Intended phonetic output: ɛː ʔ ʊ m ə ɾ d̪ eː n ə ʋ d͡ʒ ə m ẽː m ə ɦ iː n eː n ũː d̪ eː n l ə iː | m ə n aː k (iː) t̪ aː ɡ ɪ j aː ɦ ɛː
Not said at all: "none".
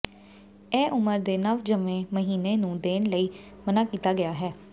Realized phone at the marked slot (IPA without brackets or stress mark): iː